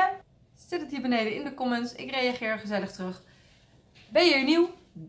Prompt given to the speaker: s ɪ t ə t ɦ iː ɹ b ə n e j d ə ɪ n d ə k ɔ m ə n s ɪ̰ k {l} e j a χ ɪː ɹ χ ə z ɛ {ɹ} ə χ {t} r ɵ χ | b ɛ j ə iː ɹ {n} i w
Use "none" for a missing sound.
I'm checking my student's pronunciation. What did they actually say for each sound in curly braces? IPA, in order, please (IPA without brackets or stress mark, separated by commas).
r, l, t, n